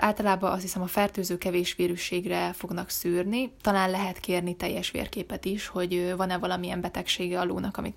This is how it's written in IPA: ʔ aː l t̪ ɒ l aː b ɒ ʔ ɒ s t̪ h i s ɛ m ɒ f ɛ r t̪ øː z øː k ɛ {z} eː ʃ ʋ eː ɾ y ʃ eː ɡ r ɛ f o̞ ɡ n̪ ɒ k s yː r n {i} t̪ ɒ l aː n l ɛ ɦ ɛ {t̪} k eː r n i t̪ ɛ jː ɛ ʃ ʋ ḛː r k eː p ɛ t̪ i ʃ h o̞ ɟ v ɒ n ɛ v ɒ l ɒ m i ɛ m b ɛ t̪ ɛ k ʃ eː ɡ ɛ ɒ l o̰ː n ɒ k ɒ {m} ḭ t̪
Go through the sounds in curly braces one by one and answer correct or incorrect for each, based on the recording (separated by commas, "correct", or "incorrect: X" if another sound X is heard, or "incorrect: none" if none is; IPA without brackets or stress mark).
incorrect: v, correct, correct, correct